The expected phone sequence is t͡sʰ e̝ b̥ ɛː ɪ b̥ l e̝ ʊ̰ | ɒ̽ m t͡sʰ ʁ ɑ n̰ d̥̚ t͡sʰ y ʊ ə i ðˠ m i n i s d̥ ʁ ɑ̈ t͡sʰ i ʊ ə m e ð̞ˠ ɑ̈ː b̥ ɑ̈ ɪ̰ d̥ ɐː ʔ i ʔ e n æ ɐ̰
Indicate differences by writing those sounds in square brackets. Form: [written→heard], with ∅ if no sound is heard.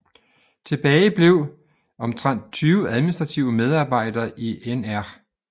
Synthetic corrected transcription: t͡sʰ e̝ b̥ ɛː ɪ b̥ l e̝ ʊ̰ | ɒ̽ m t͡sʰ ʁ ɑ n̰ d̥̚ t͡sʰ [y→yː] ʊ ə [i→æ] ðˠ m i n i s d̥ ʁ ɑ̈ t͡sʰ i ʊ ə m e ð̞ˠ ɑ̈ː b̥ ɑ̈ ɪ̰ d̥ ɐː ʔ i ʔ e n æ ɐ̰